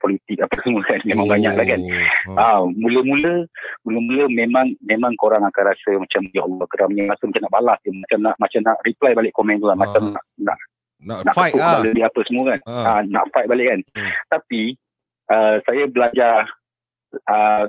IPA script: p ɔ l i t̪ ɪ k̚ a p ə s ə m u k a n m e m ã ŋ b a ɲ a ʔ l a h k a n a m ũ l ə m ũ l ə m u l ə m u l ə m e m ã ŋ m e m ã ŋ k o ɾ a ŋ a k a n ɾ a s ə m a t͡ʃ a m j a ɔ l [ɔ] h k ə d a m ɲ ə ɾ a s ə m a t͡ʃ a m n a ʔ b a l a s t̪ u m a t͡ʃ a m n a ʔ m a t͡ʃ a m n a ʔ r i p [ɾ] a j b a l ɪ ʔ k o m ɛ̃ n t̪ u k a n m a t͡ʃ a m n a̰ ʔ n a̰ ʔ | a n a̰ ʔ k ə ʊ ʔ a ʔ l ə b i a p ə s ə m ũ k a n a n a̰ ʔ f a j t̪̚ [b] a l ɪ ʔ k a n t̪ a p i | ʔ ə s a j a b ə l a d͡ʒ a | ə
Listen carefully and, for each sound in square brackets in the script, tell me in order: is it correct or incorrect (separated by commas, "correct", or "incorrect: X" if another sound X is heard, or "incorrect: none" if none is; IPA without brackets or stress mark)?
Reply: correct, incorrect: l, correct